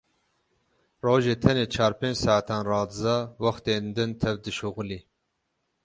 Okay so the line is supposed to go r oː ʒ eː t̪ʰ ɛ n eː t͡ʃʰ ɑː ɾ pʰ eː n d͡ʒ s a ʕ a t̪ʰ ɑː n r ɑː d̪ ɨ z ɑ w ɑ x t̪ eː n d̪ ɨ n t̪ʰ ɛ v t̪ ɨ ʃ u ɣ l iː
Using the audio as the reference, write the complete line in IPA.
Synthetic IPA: r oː ʒ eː t̪ʰ ɛ n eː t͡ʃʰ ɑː ɾ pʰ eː n d͡ʒ s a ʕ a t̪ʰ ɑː n r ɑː d̪ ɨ z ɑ w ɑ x t̪ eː n d̪ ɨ n t̪ʰ ɛ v d̪ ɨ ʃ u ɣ l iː